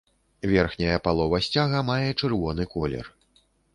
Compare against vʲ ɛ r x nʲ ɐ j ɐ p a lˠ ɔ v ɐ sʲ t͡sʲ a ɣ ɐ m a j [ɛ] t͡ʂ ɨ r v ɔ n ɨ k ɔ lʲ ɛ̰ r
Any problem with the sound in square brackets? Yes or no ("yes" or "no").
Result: no